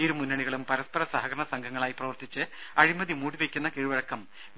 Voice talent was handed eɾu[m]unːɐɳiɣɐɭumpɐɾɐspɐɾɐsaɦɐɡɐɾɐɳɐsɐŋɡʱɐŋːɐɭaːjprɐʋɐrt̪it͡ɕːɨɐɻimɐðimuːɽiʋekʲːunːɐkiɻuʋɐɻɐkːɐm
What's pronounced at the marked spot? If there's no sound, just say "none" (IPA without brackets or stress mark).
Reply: m